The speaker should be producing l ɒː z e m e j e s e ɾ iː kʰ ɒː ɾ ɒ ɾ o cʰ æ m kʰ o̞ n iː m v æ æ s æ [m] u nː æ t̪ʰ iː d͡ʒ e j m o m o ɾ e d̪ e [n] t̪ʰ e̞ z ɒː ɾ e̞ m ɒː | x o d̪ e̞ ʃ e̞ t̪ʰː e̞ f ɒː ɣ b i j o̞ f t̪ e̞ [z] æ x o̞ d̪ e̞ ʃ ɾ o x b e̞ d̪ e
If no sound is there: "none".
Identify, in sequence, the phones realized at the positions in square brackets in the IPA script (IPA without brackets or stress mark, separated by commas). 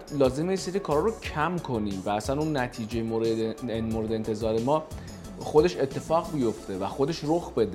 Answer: n, n, v